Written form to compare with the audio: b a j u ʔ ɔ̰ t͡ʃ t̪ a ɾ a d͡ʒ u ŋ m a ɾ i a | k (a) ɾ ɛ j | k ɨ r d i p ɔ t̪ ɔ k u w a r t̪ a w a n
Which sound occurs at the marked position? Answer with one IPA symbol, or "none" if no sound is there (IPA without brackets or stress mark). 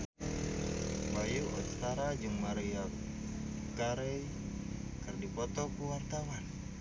a